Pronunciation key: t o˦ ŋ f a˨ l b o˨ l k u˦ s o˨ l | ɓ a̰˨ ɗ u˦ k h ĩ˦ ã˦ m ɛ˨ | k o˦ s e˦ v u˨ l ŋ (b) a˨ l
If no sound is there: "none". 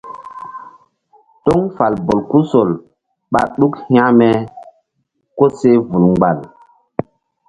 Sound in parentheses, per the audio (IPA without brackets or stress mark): ɡ͡b